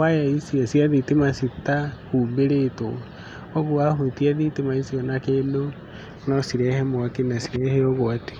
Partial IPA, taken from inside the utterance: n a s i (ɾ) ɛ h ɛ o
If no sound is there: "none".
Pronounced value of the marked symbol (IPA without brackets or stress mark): ɾ